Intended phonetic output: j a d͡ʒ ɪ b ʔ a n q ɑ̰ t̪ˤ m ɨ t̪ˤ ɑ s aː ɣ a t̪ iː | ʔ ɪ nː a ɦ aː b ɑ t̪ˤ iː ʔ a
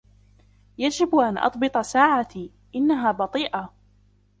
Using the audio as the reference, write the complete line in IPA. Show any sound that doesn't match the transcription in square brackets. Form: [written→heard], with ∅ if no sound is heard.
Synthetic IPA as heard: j a d͡ʒ ɪ b ʔ a n [q→ʔ] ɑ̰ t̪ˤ [m→b] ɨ t̪ˤ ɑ s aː [ɣ→ʕ] a t̪ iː | ʔ ɪ nː a ɦ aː b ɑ t̪ˤ iː ʔ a

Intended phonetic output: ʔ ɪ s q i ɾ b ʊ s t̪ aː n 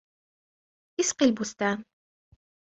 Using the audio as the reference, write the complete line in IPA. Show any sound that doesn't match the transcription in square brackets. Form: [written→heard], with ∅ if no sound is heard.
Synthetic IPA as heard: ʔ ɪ s q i [ɾ→l] b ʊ s t̪ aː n

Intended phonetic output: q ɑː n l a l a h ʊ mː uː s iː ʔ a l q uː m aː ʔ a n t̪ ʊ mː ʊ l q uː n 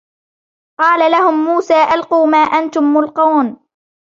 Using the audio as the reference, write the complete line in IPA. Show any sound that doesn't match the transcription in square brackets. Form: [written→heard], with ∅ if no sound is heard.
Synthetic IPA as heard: q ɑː [n→∅] l a l a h ʊ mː uː s [iː→aː] ʔ a l q uː m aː ʔ a n t̪ ʊ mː ʊ l q uː n

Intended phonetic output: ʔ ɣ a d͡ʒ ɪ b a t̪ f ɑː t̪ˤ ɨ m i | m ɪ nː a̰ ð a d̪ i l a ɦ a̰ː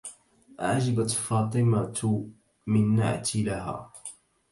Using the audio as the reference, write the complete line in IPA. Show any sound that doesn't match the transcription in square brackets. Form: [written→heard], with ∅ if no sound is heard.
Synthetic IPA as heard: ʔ [ɣ→ʕ] a d͡ʒ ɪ b a t̪ f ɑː t̪ˤ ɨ m [i→a] | m ɪ nː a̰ [ð→ʕ] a [d̪→t̪] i l a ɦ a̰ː

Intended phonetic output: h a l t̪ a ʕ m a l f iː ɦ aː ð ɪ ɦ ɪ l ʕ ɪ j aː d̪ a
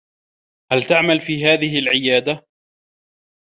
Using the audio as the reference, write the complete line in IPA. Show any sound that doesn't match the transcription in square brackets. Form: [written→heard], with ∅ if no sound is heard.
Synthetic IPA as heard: h a l t̪ a ʕ m a l f iː ɦ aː ð ɪ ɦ ɪ l ʕ ɪ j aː d̪ a

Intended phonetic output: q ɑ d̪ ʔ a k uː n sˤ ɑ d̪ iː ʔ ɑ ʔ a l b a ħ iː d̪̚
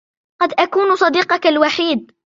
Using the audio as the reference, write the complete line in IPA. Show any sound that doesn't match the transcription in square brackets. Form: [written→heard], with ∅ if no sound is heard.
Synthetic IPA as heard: q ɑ d̪ ʔ a k uː n sˤ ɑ d̪ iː [ʔ→q] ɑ [ʔ→k] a l [b→w] a ħ iː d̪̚

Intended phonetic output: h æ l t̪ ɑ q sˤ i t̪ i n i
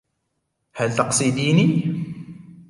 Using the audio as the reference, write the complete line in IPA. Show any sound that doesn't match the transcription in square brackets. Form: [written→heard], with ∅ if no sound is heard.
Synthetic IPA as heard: h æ l t̪ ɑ q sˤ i [t̪→d̪] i n i

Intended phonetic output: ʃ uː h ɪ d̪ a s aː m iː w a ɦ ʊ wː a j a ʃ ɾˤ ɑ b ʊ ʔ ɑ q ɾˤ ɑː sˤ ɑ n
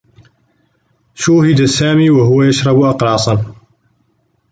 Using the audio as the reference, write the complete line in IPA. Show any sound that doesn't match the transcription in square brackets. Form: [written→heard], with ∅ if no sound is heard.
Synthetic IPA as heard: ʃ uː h ɪ d̪ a s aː m iː w a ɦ ʊ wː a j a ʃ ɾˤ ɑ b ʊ ʔ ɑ q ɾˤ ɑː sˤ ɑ n

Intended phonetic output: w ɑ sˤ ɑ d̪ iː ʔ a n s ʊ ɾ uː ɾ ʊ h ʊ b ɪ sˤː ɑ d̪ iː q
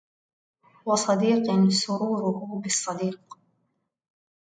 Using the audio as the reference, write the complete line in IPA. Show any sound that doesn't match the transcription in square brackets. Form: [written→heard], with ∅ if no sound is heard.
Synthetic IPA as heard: w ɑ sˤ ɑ d̪ iː [ʔ→q] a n s ʊ ɾ uː ɾ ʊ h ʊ b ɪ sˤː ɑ d̪ iː q

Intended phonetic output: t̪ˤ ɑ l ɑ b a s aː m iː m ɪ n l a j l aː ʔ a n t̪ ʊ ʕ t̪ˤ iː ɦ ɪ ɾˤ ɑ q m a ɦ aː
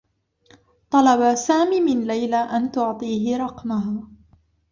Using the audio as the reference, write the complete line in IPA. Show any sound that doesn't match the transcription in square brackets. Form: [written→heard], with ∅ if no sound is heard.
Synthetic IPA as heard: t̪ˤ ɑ l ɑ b a s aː m iː m ɪ n l a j l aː ʔ a n t̪ ʊ ʕ t̪ˤ iː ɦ ɪ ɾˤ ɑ q m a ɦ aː

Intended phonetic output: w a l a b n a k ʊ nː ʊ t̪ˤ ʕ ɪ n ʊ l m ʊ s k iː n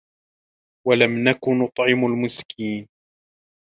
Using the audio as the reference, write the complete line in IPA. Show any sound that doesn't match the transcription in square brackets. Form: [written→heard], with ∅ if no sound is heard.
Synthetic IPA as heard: w a l a [b→m] n a k ʊ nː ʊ t̪ˤ ʕ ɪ [n→m] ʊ l m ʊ s k iː n

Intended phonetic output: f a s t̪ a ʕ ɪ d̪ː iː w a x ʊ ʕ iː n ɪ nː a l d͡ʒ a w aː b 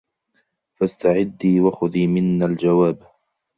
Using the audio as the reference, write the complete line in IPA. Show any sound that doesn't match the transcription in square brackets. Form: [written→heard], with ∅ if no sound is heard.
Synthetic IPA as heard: f a s t̪ a ʕ ɪ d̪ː iː w a x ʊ [ʕ→ð] iː [n→m] ɪ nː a l d͡ʒ a w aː b

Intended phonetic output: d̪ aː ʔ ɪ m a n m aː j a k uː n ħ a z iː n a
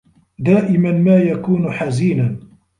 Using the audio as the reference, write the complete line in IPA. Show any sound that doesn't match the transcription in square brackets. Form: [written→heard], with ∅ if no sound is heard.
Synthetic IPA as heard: d̪ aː ʔ ɪ m a n m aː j a k uː n ħ a z iː n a

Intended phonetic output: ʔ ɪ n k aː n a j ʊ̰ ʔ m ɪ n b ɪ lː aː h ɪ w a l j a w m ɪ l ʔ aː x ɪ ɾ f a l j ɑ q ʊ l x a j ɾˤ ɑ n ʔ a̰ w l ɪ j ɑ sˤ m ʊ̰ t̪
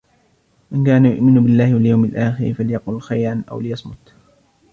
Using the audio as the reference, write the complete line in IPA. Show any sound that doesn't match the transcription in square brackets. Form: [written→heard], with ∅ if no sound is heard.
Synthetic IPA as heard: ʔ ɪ n k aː n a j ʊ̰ ʔ m ɪ n b ɪ lː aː h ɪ w a l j a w m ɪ l ʔ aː x ɪ ɾ f a l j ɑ q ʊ l x a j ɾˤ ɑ n ʔ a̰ w l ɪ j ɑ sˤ m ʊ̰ t̪

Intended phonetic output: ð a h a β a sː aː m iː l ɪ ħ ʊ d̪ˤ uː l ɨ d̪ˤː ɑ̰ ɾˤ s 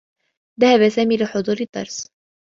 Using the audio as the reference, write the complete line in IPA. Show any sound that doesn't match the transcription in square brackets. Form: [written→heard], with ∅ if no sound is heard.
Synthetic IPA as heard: ð a h a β a [sː→s] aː m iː l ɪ ħ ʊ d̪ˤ uː [l→ɾ] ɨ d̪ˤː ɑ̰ ɾˤ s

